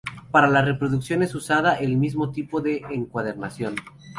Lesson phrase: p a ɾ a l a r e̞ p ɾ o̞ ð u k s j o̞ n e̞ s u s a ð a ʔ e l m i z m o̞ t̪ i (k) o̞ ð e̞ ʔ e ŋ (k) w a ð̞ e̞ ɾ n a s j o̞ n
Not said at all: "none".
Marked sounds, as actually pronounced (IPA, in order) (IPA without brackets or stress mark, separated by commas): p, k